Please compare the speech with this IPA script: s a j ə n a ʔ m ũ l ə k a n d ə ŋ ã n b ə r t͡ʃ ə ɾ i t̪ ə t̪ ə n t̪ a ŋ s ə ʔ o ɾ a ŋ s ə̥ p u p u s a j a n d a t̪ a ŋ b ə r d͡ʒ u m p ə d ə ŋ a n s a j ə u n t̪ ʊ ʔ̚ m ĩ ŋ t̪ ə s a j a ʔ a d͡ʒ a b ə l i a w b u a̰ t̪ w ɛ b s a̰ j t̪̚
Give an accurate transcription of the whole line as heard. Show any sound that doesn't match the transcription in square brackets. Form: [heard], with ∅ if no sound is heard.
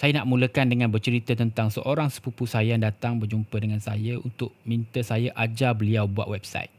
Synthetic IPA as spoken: s a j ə n a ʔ m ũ l ə k a n d ə ŋ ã n b ə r t͡ʃ ə ɾ i t̪ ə t̪ ə n t̪ a ŋ s ə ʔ o ɾ a ŋ s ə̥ p u p u s a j a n d a t̪ a ŋ b ə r d͡ʒ u m p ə d ə ŋ a n s a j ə u n t̪ ʊ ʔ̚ m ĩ [n] t̪ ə s a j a ʔ a d͡ʒ a b ə l i a w b u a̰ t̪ w ɛ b s a̰ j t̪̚